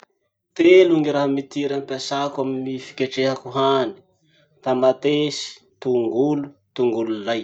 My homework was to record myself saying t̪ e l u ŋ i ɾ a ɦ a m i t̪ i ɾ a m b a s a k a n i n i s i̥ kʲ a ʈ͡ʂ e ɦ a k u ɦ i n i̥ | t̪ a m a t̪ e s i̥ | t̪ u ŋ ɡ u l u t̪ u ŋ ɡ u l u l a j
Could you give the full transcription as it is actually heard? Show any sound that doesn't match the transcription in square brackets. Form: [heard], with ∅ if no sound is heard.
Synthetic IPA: t̪ e l u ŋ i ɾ a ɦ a m i t̪ i ɾ a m [p] a s a k a [m] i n i [f] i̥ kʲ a ʈ͡ʂ e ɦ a k u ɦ [a] n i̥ | t̪ a m a t̪ e s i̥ | t̪ u ŋ ɡ u l u t̪ u ŋ ɡ u l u l a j